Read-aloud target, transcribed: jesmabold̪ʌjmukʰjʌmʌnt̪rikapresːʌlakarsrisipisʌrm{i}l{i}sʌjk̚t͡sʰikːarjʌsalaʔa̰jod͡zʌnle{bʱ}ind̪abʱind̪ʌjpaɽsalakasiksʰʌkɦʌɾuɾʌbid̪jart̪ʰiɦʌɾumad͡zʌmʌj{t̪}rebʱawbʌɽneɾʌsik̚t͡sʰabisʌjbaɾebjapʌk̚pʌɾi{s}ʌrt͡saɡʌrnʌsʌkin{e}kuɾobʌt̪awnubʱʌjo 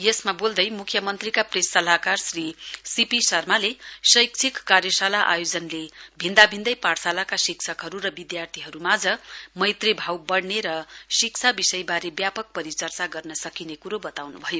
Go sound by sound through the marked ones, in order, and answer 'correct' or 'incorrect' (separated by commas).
incorrect, incorrect, correct, correct, incorrect, correct